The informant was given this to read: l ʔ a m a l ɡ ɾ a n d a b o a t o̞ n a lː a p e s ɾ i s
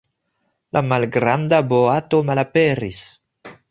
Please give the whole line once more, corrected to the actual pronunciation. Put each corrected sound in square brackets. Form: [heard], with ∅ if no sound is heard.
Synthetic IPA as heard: l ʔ a m a l ɡ ɾ a n d a b o a t o̞ [m] a [l] a p e [∅] ɾ i s